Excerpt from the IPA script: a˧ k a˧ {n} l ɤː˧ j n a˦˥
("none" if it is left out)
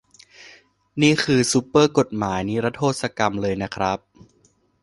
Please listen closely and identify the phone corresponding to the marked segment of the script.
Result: m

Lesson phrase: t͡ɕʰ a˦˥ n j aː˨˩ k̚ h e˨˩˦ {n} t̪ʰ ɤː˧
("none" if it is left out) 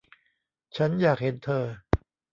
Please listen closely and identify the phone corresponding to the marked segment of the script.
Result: n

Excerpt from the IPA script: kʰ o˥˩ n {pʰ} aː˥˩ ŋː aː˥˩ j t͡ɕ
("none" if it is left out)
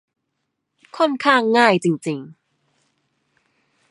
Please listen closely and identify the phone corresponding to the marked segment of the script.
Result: kʰ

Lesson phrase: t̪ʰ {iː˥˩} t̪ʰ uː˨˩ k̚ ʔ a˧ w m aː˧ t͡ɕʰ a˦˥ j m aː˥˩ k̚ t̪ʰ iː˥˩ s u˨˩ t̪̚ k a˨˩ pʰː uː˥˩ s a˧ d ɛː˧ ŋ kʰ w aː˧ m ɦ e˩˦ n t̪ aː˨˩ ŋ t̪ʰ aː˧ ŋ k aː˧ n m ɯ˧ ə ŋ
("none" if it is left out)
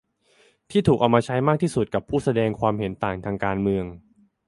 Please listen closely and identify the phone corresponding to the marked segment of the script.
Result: iː˥˩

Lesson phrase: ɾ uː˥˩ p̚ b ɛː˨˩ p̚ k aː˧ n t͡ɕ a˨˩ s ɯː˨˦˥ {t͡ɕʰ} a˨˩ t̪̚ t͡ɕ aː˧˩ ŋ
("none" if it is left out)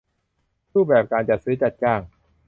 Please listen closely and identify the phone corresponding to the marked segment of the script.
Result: t͡ɕ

